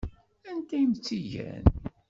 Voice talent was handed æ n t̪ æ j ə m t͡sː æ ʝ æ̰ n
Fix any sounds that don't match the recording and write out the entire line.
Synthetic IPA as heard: æ n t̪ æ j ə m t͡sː i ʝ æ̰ n